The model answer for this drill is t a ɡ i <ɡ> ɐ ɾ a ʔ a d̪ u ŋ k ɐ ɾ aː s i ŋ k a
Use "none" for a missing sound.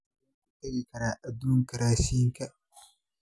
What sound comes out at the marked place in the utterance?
k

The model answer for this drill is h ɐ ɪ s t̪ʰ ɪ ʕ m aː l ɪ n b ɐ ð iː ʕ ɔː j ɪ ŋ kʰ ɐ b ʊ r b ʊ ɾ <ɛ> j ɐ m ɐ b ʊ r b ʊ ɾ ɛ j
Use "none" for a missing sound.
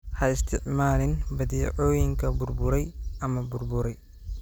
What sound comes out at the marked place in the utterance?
ɛ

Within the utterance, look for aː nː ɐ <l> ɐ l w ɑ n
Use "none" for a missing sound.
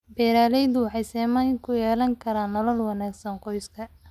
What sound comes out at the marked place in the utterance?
l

